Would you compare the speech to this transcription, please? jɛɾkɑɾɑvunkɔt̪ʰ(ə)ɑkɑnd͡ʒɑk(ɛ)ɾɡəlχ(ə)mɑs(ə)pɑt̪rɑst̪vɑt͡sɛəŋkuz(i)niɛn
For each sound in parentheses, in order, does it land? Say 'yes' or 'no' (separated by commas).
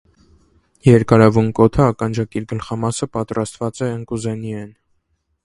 yes, no, no, yes, no